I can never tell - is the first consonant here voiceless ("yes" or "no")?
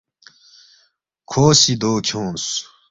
yes